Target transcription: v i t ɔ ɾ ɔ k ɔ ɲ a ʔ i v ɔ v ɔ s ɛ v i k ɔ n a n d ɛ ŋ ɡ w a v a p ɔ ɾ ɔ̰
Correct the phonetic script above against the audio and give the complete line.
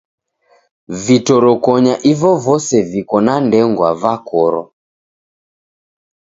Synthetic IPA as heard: v i t ɔ ɾ ɔ k ɔ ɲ a ʔ i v ɔ v ɔ s ɛ v i k ɔ n a n d ɛ ŋ ɡ w a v a k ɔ ɾ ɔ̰